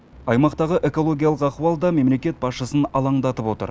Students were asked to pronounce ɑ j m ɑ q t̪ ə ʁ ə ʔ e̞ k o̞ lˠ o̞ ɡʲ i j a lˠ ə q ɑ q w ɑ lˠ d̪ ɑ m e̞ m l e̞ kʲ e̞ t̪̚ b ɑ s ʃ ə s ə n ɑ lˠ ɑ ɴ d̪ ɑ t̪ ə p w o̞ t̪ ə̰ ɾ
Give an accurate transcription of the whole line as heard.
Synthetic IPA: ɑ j m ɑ q t̪ ɑ ʁ ə ʔ e̞ k o̞ lˠ o̞ ɡʲ i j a lˠ ə q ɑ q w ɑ lˠ d̪ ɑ m e̞ m l e̞ kʲ e̞ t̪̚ b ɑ s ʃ ə s ə n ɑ lˠ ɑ ɴ d̪ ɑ t̪ ə p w o̞ t̪ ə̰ ɾ